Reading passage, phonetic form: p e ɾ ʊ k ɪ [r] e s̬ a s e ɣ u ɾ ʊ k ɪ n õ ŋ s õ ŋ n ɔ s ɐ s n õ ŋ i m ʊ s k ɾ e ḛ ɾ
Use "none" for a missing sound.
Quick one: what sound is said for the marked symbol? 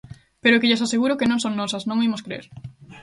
ʎ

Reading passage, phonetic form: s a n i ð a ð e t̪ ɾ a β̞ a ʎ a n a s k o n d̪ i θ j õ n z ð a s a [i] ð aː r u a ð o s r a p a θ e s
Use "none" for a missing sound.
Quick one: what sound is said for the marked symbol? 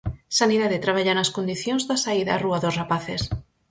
i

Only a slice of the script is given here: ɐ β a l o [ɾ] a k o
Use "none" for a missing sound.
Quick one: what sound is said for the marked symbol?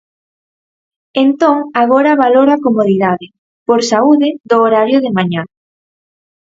ɾ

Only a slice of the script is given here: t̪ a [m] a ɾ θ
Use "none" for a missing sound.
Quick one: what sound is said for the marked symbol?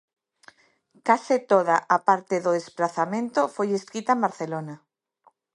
m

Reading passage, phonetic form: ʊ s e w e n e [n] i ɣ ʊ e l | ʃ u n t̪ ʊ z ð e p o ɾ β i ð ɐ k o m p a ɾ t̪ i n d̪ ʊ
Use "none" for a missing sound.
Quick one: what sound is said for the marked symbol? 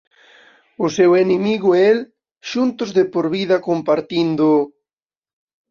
m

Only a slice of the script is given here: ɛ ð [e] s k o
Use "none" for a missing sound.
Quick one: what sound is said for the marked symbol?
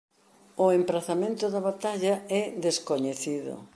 e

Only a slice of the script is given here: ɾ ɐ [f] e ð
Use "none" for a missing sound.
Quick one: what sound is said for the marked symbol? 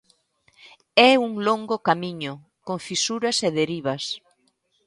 s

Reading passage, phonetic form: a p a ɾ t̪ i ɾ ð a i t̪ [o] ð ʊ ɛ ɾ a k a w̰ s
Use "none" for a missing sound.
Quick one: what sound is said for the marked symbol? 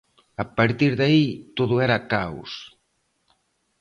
o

